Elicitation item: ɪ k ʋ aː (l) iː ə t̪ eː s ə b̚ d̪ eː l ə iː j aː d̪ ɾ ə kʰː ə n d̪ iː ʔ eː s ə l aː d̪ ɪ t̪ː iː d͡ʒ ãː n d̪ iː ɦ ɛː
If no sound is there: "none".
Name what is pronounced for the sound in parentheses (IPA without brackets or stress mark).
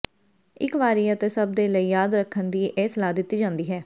ɾ